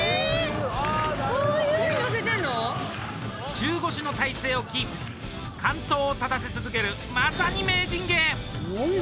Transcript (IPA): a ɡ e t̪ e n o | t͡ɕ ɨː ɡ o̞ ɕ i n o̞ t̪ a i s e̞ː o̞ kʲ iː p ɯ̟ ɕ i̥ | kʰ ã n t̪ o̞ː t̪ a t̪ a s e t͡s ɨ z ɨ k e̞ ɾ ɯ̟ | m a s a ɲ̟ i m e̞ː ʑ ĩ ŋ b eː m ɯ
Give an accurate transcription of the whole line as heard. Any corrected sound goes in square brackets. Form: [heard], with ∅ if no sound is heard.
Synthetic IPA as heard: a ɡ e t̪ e n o | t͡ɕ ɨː ɡ o̞ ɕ i n o̞ t̪ a i s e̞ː o̞ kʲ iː p ɯ̟ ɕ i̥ | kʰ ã n t̪ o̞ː t̪ a t̪ a s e t͡s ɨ z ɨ k e̞ ɾ ɯ̟ | m a s a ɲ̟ i m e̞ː ʑ ĩ ŋ [ɡ] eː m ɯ